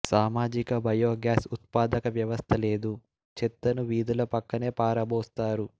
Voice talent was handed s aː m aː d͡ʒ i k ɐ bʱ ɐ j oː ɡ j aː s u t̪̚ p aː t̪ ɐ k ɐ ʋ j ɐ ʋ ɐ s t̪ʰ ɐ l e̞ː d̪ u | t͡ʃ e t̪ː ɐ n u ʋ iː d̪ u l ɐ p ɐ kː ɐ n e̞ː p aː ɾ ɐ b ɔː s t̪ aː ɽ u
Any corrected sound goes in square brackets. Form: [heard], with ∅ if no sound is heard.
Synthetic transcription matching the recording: s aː m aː d͡ʒ i k ɐ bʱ ɐ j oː ɡ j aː s u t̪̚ p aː [d̪] ɐ k ɐ ʋ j ɐ ʋ ɐ s t̪ʰ ɐ l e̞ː d̪ u | t͡ʃ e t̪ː ɐ n u ʋ iː d̪ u l ɐ p ɐ kː ɐ n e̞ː p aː ɾ ɐ b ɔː s t̪ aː [ɾ] u

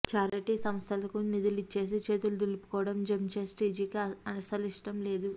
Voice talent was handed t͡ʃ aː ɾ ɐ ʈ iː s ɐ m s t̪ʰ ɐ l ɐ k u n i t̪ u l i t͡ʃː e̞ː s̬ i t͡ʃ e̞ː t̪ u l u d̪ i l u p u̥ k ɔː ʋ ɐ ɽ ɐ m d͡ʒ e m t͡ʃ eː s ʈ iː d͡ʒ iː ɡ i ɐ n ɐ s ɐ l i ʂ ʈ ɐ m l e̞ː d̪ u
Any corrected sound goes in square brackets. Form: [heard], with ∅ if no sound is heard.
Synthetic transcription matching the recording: t͡ʃ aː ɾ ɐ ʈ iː s ɐ m s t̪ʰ ɐ l ɐ k u n i [d̪] u l i t͡ʃː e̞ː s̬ i t͡ʃ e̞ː t̪ u l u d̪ i l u p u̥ k ɔː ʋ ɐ ɽ ɐ m d͡ʒ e m t͡ʃ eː s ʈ iː d͡ʒ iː [k] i ɐ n ɐ s ɐ l i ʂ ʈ ɐ m l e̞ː d̪ u

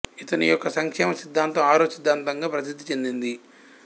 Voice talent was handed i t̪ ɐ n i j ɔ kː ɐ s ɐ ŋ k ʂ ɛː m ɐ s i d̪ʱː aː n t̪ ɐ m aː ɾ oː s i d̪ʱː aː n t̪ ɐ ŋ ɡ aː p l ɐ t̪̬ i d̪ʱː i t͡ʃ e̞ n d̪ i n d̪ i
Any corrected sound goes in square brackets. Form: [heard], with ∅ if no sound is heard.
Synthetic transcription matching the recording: i t̪ ɐ n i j ɔ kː ɐ s ɐ ŋ k ʂ ɛː m ɐ s i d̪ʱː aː n t̪ ɐ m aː ɾ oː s i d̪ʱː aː n t̪ ɐ ŋ ɡ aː p [ɾ] ɐ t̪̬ i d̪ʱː i t͡ʃ e̞ n d̪ i n d̪ i

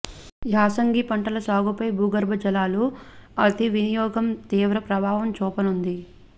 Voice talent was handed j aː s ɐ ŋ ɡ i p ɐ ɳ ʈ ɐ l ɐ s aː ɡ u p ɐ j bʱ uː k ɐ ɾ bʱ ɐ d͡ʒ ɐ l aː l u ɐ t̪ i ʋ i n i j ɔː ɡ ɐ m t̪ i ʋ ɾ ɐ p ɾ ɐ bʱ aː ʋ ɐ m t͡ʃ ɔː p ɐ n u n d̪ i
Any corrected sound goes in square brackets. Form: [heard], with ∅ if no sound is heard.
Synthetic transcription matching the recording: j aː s ɐ ŋ ɡ i p ɐ ɳ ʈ ɐ l ɐ s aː ɡ u p ɐ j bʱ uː [ɡ] ɐ ɾ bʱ ɐ d͡ʒ ɐ l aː l u ɐ t̪ i ʋ i n i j ɔː ɡ ɐ m t̪ [iː] ʋ ɾ ɐ p ɾ ɐ bʱ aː ʋ ɐ m t͡ʃ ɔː p ɐ n u n d̪ i

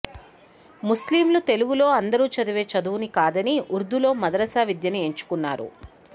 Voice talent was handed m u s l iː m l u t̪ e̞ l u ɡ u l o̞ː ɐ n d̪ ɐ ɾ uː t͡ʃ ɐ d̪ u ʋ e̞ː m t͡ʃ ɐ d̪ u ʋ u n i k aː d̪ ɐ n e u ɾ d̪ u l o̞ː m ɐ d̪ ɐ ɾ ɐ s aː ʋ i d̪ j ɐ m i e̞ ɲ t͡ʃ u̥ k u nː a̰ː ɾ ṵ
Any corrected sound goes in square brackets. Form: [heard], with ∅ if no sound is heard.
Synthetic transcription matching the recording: m u s l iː m l u t̪ e̞ l u ɡ u l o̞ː ɐ n d̪ ɐ ɾ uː t͡ʃ ɐ d̪ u ʋ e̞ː [∅] t͡ʃ ɐ d̪ u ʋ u n i k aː d̪ ɐ n [i] u ɾ d̪ u l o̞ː m ɐ d̪ ɐ ɾ ɐ s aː ʋ i d̪ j ɐ [n] i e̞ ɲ t͡ʃ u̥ k u nː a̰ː ɾ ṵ

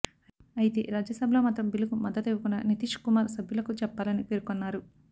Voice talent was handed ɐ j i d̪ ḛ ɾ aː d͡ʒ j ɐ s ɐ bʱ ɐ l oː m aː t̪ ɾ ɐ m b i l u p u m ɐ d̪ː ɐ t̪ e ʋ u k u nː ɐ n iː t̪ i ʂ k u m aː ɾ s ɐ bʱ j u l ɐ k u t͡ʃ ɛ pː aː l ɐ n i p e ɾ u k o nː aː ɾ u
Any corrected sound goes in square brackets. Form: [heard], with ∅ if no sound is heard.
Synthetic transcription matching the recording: ɐ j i [t̪] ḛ ɾ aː d͡ʒ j ɐ s ɐ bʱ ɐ l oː m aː t̪ ɾ ɐ m b i l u [k] u m ɐ d̪ː ɐ t̪ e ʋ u k u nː ɐ n [i] t̪ i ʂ k u m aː ɾ s ɐ bʱ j u l ɐ k u t͡ʃ ɛ pː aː l ɐ n i p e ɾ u k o nː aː ɾ u

